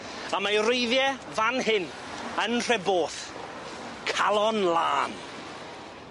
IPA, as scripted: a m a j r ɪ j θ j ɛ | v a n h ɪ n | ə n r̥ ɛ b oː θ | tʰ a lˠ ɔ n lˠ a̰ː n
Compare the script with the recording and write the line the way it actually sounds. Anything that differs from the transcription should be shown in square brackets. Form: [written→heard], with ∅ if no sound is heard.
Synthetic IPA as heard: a m a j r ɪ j [θ→ð] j ɛ | v a n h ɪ n | ə n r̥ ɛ b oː θ | [tʰ→kʰ] a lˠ ɔ n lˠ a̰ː n